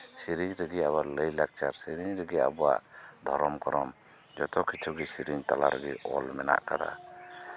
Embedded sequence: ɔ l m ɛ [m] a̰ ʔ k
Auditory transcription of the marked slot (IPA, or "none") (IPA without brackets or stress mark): n